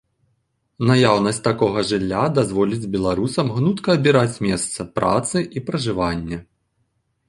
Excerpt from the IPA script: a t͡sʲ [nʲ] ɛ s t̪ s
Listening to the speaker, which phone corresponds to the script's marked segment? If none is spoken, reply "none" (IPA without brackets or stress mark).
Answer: mʲ